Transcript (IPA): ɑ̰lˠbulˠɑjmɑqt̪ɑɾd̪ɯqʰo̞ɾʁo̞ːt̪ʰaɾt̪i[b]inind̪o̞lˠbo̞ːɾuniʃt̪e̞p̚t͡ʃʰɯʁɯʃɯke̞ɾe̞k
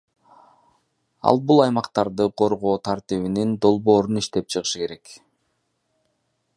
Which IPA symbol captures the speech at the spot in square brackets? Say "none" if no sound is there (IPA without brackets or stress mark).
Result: β